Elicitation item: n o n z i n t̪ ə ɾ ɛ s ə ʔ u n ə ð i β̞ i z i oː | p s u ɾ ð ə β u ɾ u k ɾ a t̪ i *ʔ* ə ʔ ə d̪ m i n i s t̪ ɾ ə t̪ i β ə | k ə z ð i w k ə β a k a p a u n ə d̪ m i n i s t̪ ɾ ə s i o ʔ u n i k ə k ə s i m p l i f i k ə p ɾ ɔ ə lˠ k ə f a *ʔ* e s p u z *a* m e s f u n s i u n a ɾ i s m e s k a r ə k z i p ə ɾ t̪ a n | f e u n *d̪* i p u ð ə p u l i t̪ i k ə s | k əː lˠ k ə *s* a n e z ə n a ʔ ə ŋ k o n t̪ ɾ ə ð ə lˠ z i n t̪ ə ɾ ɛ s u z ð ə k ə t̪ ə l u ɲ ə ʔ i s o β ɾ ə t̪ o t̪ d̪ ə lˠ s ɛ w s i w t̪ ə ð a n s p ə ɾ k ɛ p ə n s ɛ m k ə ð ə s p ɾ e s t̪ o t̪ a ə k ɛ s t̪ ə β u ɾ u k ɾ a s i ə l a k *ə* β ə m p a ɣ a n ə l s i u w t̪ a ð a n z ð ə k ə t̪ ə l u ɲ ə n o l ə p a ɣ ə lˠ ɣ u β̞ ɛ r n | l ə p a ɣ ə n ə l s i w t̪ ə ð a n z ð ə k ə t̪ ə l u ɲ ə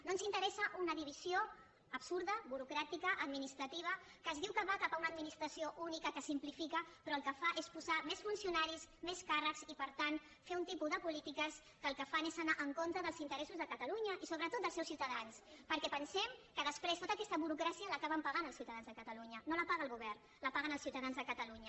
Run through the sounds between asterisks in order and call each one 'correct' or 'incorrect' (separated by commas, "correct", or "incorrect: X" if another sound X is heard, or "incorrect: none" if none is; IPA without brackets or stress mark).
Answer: incorrect: k, correct, correct, incorrect: t̪, incorrect: f, incorrect: a